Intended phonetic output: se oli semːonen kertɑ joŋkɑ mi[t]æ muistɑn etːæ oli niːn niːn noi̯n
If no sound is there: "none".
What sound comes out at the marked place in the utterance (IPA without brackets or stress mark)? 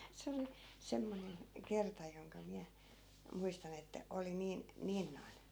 none